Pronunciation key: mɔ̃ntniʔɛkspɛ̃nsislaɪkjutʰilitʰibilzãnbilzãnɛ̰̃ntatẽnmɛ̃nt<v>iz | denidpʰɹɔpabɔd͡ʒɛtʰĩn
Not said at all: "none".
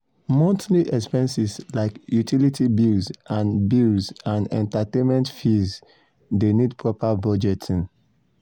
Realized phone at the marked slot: f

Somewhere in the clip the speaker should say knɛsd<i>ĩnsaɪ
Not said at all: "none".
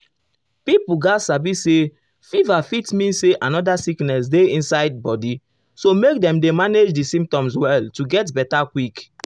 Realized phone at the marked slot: e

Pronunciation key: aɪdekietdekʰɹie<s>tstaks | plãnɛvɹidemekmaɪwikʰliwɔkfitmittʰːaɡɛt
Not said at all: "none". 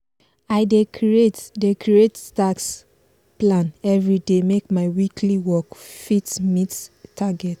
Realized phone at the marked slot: none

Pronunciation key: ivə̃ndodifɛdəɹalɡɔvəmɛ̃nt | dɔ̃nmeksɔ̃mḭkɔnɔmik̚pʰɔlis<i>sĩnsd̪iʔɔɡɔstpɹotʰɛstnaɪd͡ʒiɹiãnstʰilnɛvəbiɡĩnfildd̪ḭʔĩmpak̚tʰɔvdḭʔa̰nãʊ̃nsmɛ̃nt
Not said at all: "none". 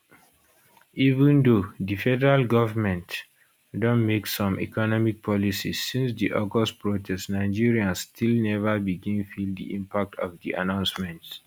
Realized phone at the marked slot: i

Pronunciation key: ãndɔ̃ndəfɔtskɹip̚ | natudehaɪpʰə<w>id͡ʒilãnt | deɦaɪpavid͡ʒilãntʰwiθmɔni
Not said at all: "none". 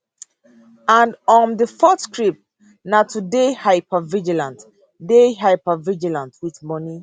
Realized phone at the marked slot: v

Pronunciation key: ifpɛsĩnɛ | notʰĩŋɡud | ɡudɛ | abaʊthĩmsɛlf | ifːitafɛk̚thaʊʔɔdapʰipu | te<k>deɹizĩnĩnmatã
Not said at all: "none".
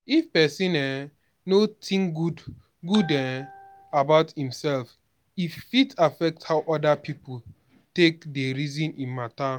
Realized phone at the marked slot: k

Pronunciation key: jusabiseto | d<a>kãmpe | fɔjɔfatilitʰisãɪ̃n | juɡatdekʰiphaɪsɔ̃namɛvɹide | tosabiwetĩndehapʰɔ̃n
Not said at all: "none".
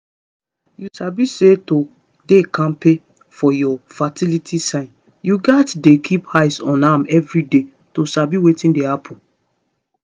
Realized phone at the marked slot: e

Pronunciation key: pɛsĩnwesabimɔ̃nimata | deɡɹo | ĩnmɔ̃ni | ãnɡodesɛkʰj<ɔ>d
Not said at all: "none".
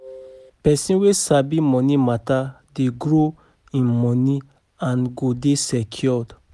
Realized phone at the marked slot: ɔ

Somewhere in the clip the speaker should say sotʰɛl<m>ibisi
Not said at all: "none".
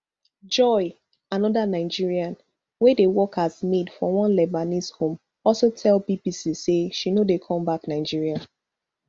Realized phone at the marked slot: b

